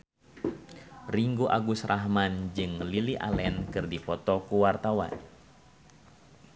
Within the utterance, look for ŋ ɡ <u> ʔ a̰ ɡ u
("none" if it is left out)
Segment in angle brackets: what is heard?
u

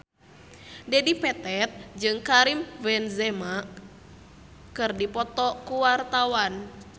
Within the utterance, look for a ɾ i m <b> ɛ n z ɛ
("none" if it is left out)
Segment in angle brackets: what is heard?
v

